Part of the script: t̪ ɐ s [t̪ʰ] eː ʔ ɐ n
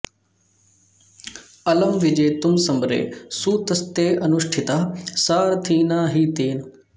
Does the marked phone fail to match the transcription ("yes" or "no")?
yes